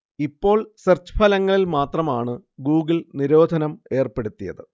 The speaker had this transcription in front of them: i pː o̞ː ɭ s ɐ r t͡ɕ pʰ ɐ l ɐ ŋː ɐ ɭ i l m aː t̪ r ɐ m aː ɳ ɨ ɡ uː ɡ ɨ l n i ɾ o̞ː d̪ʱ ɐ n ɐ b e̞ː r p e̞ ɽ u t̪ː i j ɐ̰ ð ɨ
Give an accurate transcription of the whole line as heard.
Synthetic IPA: i pː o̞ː ɭ s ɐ r t͡ɕ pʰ ɐ l ɐ ŋː ɐ ɭ i l m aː t̪ r ɐ m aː ɳ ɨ ɡ uː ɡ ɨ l n i ɾ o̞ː d̪ʱ ɐ n ɐ m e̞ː r p e̞ ɽ u t̪ː i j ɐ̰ ð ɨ